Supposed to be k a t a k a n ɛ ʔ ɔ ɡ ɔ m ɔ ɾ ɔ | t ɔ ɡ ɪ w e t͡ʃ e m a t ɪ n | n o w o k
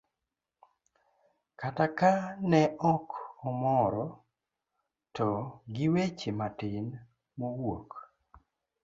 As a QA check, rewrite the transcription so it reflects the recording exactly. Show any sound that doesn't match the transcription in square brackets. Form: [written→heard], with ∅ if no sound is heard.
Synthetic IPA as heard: k a t a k a n ɛ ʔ ɔ [ɡ→k] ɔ m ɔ ɾ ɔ | t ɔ ɡ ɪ w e t͡ʃ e m a t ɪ n | [n→m] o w o k